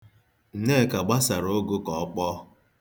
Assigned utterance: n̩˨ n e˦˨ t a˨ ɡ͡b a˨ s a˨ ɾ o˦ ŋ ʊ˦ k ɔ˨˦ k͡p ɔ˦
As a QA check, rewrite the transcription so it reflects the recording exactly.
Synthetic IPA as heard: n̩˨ n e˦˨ k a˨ ɡ͡b a˦ s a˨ ɾ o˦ ɡ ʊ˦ k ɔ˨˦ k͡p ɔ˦